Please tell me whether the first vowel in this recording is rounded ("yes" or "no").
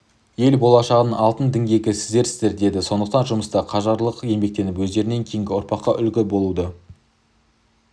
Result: no